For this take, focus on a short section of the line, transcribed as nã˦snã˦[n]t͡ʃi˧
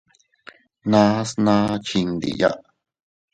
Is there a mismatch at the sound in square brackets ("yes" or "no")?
yes